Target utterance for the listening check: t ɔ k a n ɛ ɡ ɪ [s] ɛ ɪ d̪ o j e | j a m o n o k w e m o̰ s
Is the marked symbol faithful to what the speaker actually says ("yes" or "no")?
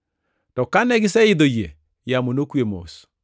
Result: yes